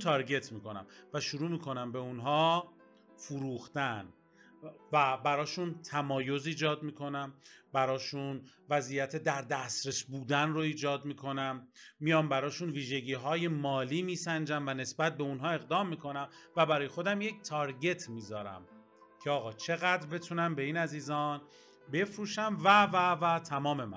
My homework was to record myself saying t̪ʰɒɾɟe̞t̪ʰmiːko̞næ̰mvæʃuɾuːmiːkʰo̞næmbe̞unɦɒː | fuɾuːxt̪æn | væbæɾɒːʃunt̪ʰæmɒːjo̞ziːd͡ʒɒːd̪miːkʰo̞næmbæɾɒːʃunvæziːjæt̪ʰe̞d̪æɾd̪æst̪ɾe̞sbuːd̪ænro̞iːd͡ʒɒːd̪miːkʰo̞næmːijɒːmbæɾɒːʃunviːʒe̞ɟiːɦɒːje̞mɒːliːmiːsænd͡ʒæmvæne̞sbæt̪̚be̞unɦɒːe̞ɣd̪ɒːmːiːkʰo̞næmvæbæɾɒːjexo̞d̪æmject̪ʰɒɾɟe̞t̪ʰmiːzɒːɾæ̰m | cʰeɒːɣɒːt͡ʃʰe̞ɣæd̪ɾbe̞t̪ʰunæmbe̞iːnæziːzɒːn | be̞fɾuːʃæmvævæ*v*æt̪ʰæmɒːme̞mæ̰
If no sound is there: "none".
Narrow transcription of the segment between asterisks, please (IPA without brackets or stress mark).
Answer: v